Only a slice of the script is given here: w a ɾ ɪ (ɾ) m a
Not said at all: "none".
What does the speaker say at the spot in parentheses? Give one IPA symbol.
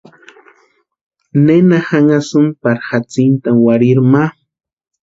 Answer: ɾ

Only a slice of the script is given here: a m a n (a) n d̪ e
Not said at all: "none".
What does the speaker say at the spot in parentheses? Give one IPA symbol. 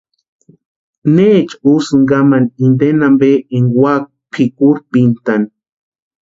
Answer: i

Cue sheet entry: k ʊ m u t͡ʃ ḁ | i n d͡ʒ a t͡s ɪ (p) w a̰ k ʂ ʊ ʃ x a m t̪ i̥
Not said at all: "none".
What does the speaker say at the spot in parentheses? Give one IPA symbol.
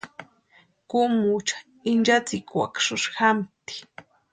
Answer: k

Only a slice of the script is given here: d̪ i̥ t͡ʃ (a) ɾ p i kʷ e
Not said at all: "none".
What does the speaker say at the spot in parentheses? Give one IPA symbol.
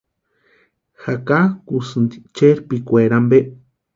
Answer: e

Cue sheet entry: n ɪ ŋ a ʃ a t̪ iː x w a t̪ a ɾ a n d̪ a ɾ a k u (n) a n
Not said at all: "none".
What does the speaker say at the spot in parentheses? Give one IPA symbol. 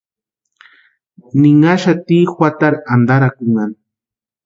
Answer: ŋ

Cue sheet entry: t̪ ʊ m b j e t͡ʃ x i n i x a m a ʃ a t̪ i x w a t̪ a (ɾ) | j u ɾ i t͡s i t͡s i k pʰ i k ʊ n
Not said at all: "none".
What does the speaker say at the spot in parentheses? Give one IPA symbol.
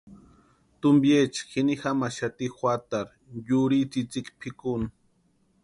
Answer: ɾ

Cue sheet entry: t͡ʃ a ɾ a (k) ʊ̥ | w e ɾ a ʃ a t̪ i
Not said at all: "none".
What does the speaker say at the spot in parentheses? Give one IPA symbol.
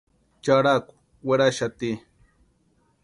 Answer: k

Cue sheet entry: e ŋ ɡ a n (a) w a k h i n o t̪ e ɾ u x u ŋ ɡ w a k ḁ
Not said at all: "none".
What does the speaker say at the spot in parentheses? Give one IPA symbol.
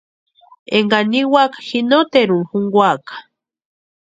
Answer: i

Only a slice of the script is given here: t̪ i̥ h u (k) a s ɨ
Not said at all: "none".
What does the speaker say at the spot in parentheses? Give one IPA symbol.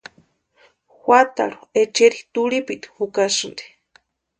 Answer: k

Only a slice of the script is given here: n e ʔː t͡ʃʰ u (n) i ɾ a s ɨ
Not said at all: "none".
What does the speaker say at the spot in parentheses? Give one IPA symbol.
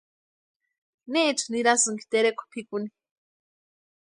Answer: n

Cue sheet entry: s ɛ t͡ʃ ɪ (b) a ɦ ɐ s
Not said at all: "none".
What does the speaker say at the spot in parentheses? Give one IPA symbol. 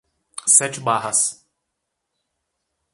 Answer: b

